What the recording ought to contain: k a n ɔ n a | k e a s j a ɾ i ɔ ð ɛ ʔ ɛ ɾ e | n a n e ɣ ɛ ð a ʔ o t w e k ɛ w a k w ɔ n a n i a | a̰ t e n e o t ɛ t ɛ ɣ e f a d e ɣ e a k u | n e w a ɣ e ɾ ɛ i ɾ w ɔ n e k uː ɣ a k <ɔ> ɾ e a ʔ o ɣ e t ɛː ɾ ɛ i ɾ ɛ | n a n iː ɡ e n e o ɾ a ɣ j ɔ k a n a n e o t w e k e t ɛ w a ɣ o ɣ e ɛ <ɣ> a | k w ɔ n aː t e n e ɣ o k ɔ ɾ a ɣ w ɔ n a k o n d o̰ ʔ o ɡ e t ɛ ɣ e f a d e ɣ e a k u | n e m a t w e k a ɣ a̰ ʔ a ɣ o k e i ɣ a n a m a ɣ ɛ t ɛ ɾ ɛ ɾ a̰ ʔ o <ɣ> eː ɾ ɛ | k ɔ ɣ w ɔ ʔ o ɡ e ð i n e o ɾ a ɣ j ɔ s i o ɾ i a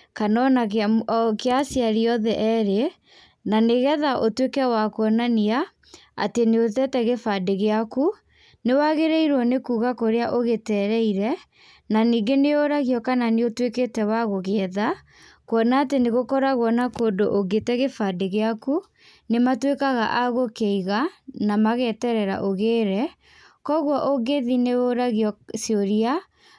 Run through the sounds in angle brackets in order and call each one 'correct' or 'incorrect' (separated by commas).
incorrect, incorrect, correct